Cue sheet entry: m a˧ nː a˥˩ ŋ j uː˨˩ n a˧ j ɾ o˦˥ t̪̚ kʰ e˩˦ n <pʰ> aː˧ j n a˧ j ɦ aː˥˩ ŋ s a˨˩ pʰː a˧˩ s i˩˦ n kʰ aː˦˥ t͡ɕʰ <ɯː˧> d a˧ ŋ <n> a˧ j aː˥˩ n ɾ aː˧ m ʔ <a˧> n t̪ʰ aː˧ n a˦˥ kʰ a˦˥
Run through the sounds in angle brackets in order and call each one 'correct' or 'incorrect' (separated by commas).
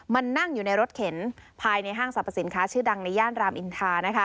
correct, incorrect, correct, incorrect